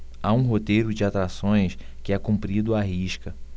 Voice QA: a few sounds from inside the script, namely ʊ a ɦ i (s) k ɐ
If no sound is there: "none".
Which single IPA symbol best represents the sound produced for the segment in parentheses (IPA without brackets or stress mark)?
ʃ